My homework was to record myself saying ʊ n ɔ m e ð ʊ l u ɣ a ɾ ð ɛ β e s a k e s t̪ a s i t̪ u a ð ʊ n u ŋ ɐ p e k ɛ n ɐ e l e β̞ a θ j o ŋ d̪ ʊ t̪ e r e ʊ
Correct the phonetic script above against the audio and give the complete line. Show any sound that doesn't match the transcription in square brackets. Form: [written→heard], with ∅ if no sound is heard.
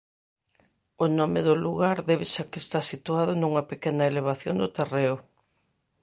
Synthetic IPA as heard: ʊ n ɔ m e ð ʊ l u ɣ a ɾ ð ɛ β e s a k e s t̪ a s i t̪ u a ð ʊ n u ŋ ɐ p e k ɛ n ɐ e l e β̞ a θ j o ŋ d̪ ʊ t̪ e r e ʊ